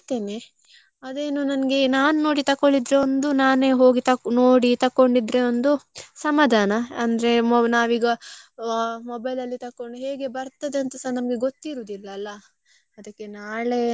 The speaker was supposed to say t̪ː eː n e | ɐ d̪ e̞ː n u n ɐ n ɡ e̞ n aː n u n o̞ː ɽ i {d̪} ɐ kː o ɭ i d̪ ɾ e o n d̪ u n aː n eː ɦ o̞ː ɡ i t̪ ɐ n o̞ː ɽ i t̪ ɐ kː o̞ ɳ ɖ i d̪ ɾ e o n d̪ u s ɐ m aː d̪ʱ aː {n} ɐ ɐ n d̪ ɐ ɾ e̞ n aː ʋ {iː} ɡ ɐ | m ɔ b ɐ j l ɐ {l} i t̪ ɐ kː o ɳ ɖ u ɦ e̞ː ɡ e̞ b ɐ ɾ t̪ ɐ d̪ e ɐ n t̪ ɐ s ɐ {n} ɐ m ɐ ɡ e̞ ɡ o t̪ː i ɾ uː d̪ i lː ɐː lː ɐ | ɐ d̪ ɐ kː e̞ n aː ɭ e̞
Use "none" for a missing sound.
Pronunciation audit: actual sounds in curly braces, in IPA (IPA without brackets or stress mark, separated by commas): t̪, n, iː, lː, n